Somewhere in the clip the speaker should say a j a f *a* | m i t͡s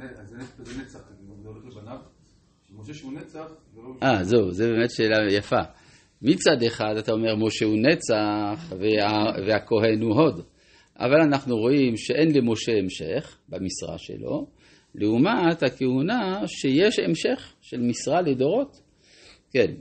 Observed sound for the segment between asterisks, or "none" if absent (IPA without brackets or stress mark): a